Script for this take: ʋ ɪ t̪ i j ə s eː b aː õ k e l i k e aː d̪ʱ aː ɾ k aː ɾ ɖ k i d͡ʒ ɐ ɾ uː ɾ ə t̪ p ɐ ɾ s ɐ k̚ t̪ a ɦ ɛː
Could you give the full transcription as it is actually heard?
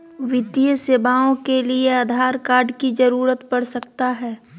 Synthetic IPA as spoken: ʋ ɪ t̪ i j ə s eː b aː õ k e l i e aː d̪ʱ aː ɾ k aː ɾ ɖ k i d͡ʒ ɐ ɾ uː ɾ ə t̪ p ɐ ɽ s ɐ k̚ t̪ a ɦ ɛː